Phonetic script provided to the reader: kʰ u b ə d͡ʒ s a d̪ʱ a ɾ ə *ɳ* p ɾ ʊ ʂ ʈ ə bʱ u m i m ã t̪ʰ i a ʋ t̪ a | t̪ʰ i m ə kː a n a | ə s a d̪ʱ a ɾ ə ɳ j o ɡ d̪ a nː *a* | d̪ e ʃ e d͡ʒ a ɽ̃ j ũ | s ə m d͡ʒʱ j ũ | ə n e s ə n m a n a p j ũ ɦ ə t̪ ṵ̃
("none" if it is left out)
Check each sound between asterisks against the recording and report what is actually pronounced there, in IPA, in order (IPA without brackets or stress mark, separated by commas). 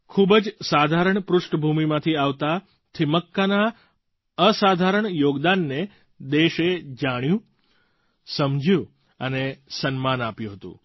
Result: ɳ, e